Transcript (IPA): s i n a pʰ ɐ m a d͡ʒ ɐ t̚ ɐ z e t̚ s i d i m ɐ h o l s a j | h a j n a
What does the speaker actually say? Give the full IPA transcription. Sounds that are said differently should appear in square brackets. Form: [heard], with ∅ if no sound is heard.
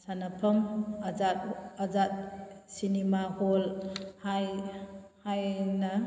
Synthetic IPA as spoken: s [a] n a pʰ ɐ m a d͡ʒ [a] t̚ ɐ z [a] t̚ s i [n] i m [a] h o l [h] a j | h a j n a